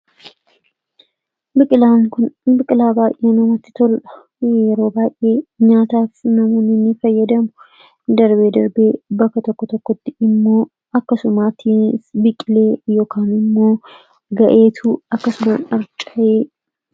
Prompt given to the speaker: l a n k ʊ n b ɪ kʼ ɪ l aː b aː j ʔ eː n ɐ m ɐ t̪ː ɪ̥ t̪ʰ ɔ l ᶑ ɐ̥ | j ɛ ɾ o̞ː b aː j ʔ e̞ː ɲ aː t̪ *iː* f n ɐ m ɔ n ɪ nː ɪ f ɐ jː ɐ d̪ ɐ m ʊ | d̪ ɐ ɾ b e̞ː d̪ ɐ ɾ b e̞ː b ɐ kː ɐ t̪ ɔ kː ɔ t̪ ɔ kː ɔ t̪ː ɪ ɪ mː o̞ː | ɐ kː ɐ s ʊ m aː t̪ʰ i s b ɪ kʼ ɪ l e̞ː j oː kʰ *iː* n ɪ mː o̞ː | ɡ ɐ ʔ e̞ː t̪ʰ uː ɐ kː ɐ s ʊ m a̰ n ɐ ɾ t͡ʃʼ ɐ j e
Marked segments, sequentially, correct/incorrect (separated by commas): incorrect, incorrect